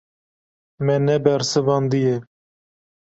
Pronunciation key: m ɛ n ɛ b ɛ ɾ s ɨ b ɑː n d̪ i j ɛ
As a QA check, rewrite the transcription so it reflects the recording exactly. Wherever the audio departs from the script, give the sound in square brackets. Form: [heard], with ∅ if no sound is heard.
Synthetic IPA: m ɛ n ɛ b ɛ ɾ s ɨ [v] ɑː n d̪ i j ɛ